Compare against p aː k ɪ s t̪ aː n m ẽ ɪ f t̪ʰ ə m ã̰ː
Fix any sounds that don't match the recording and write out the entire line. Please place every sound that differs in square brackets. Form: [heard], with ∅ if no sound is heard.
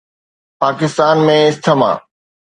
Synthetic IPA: p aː k ɪ s t̪ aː n m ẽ ɪ [s] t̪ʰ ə m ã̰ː